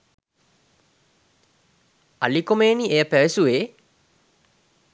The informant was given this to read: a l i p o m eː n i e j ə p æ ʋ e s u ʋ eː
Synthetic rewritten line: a l i k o m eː n i e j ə p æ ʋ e s u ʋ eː